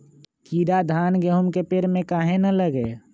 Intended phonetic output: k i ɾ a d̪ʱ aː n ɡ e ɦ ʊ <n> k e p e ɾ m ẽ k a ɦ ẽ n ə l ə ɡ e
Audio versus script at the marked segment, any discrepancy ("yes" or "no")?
yes